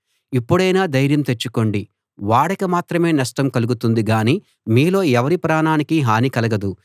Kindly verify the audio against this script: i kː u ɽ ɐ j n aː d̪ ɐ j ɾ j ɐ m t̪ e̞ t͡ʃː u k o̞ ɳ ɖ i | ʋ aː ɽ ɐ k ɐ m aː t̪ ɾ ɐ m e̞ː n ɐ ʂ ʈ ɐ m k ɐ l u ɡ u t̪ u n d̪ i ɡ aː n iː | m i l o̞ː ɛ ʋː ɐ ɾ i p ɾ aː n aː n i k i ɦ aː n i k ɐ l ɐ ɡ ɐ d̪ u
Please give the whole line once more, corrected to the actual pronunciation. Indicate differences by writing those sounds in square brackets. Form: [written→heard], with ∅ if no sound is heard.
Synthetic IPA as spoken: i [kː→pː] u ɽ ɐ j n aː d̪ ɐ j ɾ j ɐ m t̪ e̞ t͡ʃː u k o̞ ɳ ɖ i | ʋ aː ɽ ɐ k ɐ m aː t̪ ɾ ɐ m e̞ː n ɐ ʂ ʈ ɐ m k ɐ l u ɡ u t̪ u n d̪ i ɡ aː n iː | m [i→iː] l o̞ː ɛ [ʋː→ʋ] ɐ ɾ i p ɾ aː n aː n i k i ɦ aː n i k ɐ l ɐ ɡ ɐ d̪ u